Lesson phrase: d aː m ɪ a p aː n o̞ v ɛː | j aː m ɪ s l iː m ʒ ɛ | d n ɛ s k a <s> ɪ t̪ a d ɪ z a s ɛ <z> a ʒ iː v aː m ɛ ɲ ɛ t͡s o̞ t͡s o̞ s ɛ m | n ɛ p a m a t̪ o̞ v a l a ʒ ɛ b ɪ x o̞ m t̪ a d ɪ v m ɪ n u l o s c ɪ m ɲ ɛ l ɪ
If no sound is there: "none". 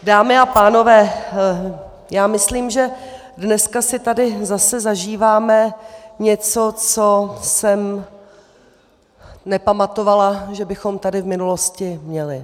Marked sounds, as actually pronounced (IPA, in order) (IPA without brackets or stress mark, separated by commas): s, z